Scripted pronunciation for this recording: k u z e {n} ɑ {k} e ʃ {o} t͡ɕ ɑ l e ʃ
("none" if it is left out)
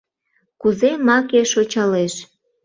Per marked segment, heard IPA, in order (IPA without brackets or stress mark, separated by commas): m, k, o